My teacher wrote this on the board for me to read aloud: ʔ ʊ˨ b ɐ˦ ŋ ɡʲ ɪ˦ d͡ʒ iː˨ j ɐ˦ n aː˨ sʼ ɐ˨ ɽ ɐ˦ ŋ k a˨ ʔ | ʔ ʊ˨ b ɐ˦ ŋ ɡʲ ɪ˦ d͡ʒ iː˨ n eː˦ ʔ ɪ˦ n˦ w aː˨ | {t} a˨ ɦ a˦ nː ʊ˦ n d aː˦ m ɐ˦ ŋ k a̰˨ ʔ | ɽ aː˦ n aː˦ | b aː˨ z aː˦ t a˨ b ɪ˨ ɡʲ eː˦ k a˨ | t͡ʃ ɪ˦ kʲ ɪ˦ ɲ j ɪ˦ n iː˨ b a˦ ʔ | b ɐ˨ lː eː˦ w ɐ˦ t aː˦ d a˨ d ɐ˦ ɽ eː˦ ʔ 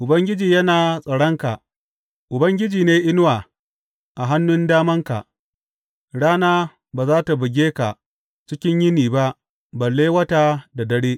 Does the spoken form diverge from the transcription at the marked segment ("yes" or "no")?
yes